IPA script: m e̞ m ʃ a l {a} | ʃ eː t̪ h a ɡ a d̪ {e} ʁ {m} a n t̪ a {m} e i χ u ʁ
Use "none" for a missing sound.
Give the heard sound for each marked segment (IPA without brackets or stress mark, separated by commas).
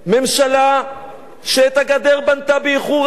a, e, b, b